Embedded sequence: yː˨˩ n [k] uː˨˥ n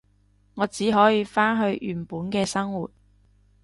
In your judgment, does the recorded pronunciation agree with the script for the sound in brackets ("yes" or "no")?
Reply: no